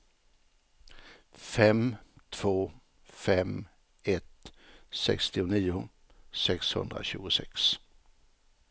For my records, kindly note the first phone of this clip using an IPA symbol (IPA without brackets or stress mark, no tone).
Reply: f